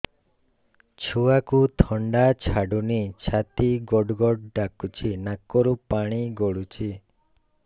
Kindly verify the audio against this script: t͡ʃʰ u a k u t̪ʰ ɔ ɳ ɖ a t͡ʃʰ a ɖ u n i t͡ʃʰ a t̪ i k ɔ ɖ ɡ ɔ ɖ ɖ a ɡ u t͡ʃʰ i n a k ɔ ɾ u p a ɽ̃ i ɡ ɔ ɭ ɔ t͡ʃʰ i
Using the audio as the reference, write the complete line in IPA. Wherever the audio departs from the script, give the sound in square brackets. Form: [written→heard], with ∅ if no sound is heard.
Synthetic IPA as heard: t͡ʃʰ u a k u t̪ʰ ɔ ɳ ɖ a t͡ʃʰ a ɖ u n i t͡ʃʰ a t̪ i [k→ɡ] ɔ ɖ ɡ ɔ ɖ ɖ a [ɡ→k] u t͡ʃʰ i n a k ɔ ɾ u p a ɽ̃ i ɡ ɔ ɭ [ɔ→u] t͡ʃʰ i